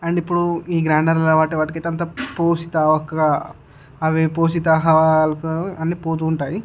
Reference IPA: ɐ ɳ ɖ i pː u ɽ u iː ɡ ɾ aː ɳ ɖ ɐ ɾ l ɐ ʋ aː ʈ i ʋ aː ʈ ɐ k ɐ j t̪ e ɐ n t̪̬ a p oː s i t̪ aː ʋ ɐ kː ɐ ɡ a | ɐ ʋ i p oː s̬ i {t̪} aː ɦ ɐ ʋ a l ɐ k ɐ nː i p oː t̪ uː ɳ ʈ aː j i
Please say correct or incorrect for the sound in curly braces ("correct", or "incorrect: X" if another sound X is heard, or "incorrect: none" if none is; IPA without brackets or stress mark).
correct